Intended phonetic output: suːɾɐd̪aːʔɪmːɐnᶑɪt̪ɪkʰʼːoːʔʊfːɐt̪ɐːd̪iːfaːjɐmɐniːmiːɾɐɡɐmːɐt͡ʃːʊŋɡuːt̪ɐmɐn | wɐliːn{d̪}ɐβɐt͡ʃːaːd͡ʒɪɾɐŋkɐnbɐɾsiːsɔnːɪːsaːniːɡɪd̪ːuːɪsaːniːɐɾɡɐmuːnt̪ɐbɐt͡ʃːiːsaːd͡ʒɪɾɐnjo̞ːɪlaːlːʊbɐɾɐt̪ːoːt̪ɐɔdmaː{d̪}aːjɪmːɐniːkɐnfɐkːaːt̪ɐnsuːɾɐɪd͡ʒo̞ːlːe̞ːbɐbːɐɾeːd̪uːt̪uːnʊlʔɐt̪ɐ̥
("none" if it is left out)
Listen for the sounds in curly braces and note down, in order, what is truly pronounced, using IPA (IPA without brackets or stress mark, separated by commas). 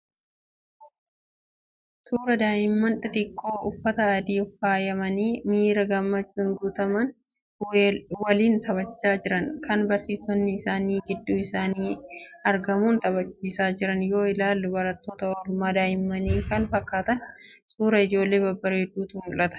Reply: t̪, d̪